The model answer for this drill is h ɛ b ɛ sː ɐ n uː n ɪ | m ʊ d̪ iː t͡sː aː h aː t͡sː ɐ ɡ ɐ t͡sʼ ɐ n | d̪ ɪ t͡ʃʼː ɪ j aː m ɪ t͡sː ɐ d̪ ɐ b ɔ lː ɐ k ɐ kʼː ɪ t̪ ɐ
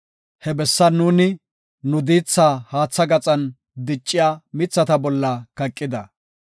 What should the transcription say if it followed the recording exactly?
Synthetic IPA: h ɛ b ɛ sː ɐ n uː n ɪ | n ʊ d̪ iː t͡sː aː h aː t͡sː ɐ ɡ ɐ t͡sʼ ɐ n | d̪ ɪ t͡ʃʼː ɪ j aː m ɪ t͡sː ɐ t̪ ɐ b ɔ lː ɐ k ɐ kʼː ɪ d̪ ɐ